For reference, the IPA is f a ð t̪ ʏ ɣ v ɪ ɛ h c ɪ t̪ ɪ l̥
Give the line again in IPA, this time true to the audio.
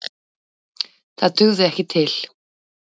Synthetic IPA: θ a ð t̪ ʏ ɣ ð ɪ ɛ h c ɪ t̪ʰ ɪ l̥